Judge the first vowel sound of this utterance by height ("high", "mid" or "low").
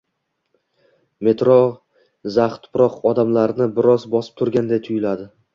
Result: mid